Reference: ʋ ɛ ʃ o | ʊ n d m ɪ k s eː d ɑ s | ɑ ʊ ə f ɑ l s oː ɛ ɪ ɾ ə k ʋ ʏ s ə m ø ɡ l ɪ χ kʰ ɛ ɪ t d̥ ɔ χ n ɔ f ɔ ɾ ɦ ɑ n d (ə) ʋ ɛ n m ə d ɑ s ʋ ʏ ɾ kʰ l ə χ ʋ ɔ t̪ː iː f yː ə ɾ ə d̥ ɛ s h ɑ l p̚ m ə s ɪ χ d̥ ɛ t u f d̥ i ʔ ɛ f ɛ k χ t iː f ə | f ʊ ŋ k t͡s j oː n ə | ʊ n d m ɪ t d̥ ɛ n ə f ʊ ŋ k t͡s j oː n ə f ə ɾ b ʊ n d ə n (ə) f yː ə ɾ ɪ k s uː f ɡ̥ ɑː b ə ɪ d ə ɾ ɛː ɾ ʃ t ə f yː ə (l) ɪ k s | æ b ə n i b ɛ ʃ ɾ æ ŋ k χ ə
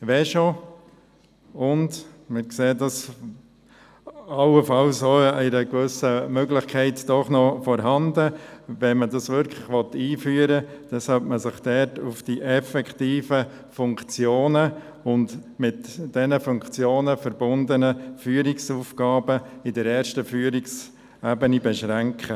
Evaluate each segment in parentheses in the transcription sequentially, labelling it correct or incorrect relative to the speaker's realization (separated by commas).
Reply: correct, correct, incorrect